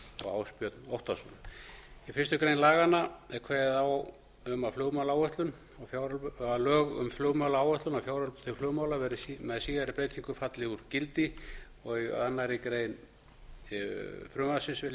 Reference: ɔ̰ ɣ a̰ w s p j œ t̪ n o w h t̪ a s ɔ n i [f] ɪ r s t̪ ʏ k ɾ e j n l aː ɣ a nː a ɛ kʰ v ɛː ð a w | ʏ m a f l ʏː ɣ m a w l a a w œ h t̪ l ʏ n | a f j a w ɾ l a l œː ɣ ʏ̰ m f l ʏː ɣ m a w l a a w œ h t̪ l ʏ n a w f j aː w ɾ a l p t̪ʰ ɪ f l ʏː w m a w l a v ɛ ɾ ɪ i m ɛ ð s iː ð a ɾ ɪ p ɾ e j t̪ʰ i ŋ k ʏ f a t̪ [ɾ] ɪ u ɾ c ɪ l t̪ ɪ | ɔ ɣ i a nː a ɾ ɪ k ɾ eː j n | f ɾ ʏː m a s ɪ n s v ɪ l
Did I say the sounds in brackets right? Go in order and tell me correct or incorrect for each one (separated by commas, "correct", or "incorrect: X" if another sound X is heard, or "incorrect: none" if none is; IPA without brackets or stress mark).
correct, incorrect: l